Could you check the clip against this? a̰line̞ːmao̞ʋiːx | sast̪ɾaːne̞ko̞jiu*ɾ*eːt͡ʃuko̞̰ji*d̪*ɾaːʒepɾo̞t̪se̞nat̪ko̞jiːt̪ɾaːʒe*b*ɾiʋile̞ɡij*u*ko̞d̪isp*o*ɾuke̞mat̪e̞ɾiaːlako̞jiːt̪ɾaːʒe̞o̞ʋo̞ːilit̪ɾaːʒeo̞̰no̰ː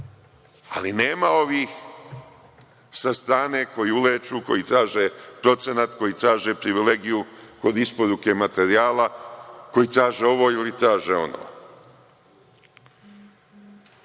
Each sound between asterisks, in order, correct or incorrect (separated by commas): incorrect, incorrect, incorrect, correct, correct